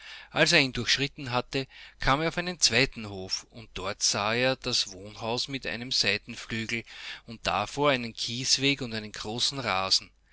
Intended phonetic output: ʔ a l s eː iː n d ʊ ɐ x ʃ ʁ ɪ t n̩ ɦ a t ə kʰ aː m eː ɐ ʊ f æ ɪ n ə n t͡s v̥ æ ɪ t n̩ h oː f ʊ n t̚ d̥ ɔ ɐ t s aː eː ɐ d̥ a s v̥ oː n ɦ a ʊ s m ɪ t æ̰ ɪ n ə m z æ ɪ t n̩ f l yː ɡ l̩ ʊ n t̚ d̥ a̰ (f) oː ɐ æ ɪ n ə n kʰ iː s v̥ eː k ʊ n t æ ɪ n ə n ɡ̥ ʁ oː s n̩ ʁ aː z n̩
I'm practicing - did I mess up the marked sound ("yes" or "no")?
no